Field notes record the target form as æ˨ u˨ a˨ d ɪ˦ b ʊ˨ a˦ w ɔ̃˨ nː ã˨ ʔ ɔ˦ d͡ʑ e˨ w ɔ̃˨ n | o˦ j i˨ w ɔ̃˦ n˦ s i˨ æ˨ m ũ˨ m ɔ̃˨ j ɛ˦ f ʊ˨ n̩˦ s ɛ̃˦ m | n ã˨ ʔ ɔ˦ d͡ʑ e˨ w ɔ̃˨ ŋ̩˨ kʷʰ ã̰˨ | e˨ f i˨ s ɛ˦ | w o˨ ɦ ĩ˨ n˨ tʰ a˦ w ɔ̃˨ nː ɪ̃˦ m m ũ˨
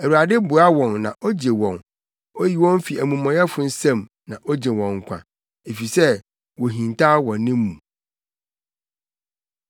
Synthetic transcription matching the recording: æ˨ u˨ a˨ d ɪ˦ b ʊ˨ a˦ w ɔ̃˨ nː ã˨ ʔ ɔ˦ d͡ʑ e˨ w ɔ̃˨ n | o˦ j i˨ w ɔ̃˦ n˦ f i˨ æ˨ m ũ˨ m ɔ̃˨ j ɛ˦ f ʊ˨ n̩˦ s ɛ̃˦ m | n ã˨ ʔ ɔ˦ d͡ʑ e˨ w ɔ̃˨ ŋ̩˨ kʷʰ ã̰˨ | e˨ f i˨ s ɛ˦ | w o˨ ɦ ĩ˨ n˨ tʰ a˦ w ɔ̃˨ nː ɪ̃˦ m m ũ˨